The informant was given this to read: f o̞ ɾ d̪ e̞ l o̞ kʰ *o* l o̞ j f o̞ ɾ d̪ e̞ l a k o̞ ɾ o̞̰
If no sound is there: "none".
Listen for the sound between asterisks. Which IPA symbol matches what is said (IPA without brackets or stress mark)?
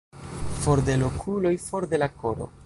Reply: u